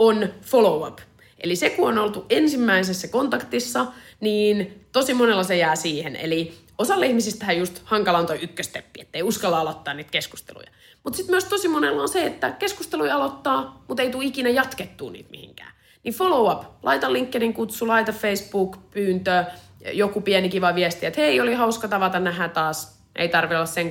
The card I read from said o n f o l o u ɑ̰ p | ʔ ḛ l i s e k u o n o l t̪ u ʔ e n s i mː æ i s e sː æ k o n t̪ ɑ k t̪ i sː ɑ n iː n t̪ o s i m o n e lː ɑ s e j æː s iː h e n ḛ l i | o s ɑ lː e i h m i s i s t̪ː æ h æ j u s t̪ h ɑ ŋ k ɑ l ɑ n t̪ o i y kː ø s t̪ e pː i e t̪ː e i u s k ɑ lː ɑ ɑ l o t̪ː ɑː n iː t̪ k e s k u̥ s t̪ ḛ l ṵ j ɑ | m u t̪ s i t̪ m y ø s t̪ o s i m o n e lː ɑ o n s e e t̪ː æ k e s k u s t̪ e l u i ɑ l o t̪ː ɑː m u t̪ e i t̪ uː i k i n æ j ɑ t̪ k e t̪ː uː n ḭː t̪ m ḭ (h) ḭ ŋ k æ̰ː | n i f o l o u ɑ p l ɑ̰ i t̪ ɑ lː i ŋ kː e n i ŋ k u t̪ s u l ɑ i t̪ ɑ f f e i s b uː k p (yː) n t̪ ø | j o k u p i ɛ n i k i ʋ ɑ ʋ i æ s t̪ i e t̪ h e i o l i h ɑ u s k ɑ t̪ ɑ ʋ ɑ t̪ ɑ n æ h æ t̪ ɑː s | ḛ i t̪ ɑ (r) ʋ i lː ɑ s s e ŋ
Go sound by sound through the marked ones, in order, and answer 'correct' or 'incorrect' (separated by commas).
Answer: correct, correct, correct